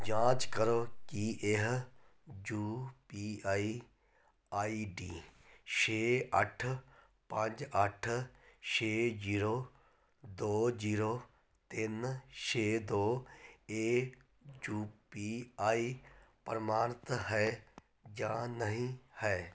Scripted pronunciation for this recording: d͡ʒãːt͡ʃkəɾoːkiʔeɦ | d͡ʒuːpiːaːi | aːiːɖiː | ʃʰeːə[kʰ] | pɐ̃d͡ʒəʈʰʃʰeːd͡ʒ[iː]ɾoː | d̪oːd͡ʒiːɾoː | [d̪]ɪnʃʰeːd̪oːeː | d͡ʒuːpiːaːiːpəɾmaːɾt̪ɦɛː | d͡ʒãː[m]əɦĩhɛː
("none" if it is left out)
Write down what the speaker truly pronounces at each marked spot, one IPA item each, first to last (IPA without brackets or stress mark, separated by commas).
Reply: ʈʰ, iː, t̪, n